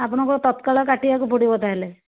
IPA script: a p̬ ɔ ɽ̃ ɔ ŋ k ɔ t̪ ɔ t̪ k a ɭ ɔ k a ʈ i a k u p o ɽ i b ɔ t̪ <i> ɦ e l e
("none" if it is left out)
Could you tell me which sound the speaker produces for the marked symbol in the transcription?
a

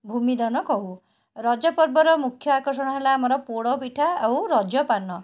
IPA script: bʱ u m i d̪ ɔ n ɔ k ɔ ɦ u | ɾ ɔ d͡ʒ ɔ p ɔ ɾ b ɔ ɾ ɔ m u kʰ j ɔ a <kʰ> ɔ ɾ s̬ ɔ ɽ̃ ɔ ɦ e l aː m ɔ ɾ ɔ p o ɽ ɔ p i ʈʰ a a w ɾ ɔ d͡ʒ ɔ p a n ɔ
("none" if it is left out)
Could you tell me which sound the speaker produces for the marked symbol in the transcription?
k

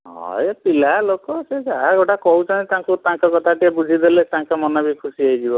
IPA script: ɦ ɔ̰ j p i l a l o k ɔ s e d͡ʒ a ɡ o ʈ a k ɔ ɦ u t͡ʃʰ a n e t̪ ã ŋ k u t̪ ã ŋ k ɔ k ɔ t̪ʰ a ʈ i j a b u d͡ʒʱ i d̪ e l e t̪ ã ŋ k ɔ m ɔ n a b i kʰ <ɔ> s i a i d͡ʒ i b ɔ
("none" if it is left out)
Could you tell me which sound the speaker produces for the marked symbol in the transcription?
u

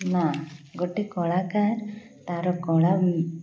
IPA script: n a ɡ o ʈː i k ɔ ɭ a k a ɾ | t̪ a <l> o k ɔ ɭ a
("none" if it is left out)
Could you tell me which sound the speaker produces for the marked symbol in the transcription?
ɾ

